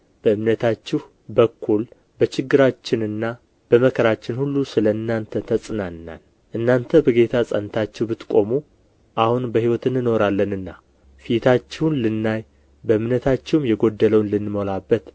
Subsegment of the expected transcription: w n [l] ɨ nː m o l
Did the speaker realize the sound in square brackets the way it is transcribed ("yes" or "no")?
yes